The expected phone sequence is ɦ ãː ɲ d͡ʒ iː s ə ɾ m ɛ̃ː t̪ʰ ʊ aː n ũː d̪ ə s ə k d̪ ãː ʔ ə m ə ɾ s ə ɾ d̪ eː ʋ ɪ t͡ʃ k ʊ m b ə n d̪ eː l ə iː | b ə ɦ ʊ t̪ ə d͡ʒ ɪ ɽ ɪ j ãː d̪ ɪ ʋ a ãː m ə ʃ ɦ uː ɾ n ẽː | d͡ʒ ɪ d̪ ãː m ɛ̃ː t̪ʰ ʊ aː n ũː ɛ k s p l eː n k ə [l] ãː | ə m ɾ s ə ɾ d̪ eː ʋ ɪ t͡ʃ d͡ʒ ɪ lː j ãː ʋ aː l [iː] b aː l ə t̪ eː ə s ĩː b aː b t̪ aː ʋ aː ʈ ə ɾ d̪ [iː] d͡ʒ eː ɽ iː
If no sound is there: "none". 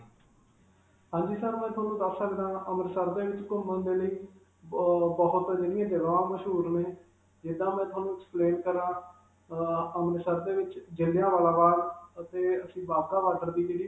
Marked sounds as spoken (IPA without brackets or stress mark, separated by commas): ɾ, aː, iː